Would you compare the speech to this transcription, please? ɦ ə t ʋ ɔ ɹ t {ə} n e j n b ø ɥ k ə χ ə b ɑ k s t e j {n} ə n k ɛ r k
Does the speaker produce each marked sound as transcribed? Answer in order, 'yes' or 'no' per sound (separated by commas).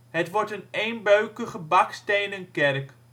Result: yes, yes